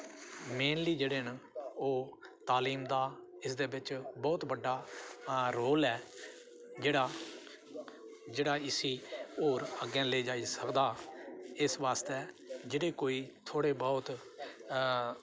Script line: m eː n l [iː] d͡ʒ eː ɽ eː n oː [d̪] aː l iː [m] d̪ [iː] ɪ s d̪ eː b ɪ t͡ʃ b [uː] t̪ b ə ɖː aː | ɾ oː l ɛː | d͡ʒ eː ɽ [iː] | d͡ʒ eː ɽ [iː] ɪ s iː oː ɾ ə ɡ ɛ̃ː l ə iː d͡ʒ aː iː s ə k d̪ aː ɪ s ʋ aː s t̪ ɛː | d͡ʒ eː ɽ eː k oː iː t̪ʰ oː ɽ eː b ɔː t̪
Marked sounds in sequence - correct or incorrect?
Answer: correct, incorrect: t̪, correct, incorrect: aː, incorrect: ɔː, incorrect: aː, incorrect: aː

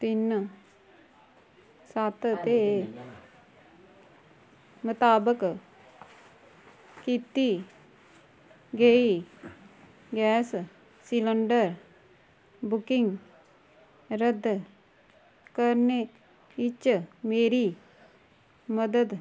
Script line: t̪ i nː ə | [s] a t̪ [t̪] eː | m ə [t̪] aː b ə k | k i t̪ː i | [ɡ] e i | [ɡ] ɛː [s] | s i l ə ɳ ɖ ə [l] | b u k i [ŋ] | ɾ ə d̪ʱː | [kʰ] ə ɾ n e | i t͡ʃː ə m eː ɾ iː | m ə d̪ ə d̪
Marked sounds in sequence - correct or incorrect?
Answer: correct, correct, correct, correct, correct, correct, incorrect: ɾ, correct, incorrect: k

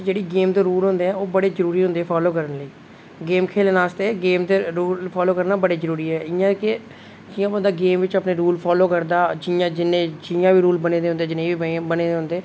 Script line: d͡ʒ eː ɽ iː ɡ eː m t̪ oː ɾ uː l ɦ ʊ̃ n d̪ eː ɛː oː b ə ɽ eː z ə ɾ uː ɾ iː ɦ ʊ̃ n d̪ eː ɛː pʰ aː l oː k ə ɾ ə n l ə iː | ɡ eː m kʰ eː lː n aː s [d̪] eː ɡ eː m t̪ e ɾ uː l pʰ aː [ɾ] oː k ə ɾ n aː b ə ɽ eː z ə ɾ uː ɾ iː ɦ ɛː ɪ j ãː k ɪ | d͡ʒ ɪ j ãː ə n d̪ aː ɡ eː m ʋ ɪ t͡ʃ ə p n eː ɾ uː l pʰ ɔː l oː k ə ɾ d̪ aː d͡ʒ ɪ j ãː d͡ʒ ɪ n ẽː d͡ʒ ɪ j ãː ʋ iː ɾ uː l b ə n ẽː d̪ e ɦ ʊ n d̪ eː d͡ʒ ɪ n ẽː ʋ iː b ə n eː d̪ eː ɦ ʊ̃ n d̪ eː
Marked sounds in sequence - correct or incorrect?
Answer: incorrect: t̪, incorrect: l

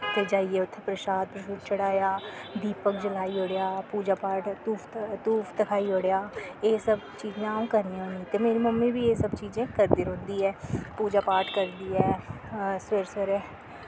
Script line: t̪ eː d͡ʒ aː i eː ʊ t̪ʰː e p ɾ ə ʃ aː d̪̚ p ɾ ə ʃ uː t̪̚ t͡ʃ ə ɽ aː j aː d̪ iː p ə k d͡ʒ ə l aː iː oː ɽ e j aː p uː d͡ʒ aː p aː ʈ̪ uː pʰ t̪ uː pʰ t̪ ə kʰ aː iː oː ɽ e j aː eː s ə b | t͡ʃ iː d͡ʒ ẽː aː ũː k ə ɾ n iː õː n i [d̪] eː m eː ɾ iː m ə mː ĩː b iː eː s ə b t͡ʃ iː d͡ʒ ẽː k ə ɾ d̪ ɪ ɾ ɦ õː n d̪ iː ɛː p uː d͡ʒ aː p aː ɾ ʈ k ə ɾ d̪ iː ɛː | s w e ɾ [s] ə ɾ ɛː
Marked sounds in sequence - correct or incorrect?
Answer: incorrect: t̪, correct

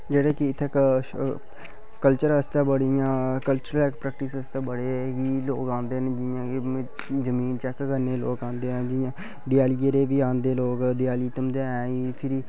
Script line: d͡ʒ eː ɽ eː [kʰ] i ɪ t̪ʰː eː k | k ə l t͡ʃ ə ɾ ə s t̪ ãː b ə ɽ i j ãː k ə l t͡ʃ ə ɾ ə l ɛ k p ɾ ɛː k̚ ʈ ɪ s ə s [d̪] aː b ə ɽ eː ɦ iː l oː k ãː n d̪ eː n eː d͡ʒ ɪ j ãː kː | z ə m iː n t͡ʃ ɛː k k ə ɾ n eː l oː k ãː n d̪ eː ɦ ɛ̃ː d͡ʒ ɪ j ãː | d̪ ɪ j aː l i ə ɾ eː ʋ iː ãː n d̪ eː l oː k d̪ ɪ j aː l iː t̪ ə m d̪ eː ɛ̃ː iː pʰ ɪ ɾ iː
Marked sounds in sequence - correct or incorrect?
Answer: incorrect: k, incorrect: t̪

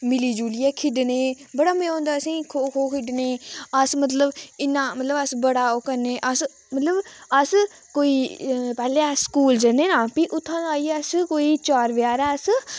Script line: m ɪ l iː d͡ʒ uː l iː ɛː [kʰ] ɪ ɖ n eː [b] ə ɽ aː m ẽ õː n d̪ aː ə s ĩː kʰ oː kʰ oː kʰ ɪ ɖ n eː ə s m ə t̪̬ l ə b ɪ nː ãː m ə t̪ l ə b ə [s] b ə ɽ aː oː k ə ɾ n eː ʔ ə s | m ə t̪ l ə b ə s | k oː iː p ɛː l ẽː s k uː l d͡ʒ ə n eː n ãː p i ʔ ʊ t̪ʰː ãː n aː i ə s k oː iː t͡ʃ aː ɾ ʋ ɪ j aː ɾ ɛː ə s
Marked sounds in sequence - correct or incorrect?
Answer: correct, correct, correct

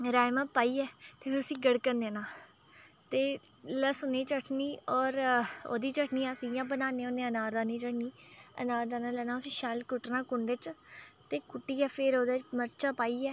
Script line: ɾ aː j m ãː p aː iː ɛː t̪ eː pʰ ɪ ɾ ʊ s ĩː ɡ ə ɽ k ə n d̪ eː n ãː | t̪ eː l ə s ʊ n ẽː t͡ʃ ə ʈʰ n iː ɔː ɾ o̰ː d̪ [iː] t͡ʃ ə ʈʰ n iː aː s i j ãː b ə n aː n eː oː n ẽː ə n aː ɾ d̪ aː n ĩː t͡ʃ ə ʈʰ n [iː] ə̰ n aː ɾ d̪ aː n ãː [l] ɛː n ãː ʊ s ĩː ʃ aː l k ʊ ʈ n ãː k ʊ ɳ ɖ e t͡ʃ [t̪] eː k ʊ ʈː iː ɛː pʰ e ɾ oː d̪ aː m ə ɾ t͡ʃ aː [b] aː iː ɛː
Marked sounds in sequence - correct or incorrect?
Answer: correct, correct, correct, correct, incorrect: p

